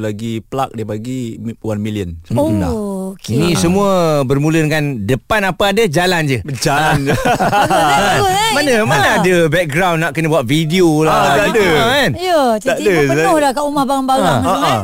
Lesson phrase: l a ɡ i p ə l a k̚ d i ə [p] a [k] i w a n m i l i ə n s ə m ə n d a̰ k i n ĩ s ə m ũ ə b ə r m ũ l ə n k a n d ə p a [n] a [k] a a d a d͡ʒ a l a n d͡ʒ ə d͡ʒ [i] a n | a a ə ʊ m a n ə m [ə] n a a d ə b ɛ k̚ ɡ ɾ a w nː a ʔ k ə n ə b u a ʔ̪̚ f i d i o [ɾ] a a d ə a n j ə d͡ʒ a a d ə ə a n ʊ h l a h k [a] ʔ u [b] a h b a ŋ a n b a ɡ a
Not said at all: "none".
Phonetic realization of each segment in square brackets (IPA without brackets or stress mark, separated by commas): p, ɡ, n, p, a, a, l, a, m